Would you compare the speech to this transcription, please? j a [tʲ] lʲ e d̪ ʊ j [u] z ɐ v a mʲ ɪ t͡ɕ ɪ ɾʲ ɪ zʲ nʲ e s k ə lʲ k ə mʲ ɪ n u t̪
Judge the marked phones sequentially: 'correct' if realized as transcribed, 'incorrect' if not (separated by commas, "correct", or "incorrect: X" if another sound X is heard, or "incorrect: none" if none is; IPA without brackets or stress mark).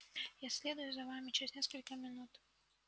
incorrect: sʲ, incorrect: ʊ